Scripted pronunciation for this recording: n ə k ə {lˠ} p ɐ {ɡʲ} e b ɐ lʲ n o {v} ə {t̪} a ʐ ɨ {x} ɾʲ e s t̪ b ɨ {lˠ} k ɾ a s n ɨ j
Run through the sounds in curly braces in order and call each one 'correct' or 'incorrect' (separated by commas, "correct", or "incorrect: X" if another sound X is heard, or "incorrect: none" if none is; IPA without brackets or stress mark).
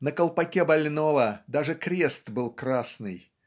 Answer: correct, incorrect: kʲ, correct, incorrect: d̪, incorrect: k, correct